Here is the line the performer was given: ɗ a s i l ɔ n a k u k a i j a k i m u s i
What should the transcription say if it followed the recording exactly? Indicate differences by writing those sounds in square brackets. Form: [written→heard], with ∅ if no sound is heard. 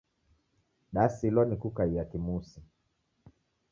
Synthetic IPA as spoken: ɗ a s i l ɔ n [a→i] k u k a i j a k i m u s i